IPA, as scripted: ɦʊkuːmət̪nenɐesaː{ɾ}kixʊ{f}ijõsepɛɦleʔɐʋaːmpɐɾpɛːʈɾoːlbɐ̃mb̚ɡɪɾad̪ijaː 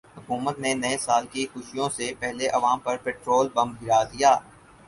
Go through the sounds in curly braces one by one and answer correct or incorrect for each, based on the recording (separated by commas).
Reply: incorrect, incorrect